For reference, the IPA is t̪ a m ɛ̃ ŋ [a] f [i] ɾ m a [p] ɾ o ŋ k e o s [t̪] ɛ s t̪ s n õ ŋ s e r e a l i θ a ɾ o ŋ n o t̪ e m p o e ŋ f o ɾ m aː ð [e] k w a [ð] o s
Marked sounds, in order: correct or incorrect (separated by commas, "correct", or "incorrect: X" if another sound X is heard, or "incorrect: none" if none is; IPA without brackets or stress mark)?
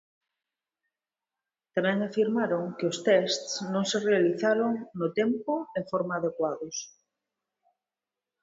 correct, correct, incorrect: none, correct, correct, correct